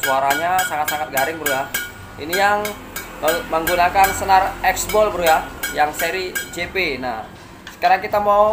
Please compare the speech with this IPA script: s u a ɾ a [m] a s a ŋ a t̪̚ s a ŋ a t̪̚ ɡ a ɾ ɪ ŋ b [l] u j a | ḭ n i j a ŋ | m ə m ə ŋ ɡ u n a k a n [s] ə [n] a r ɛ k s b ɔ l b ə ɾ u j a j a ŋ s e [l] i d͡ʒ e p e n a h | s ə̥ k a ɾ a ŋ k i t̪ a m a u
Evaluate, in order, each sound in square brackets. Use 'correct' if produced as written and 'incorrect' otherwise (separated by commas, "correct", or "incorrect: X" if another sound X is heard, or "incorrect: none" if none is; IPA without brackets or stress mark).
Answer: incorrect: ɲ, incorrect: ɾ, correct, correct, incorrect: ɾ